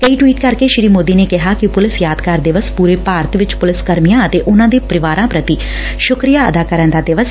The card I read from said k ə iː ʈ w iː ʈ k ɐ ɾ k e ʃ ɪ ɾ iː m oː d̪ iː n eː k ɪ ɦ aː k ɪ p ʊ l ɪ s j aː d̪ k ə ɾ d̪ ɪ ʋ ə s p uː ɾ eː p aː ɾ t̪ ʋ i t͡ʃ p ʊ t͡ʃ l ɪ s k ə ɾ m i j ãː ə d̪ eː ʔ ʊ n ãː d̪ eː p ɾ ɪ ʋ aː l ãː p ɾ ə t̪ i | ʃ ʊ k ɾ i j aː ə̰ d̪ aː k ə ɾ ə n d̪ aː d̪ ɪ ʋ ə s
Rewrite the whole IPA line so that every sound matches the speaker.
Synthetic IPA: k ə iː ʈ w iː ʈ k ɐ ɾ k e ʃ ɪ ɾ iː m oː d̪ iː n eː k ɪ ɦ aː k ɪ p ʊ l ɪ s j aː d̪ k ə ɾ d̪ ɪ ʋ ə s p uː ɾ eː p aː ɾ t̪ ʋ ɪ t͡ʃ p ʊ l ɪ s k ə ɾ m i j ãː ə t̪ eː ʔ ʊ n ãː d̪ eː p ɾ ɪ ʋ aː ɾ ãː p ɾ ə t̪ i | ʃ ʊ k ɾ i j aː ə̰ d̪ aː k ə ɾ ə n d̪ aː d̪ ɪ ʋ ə s